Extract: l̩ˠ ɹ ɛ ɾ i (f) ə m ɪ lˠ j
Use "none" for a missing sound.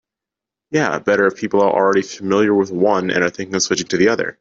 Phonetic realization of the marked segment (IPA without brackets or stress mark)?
f